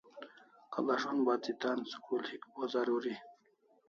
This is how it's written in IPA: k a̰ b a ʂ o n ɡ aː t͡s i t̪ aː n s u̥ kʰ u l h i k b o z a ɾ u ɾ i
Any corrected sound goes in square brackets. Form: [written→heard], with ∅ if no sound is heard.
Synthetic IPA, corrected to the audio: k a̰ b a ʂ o n [ɡ→b] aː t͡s i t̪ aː n s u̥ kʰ u l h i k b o z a ɾ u ɾ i